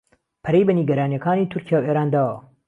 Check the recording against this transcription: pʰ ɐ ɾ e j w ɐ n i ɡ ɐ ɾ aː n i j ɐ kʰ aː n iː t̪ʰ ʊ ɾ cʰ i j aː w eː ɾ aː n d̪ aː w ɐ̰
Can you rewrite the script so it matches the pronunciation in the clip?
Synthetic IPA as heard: pʰ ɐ ɾ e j b ɐ n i ɡ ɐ ɾ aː n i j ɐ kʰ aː n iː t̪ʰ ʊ ɾ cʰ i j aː w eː ɾ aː n d̪ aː w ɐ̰